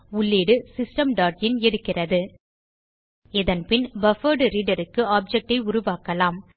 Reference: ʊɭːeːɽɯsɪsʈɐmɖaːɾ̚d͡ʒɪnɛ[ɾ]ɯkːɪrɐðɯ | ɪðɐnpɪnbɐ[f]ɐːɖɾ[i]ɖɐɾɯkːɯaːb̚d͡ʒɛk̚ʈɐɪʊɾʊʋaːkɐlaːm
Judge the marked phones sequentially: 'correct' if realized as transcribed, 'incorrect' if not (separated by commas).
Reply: incorrect, correct, incorrect